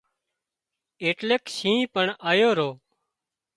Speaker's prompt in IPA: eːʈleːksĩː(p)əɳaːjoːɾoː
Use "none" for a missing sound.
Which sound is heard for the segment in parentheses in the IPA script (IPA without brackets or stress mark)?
p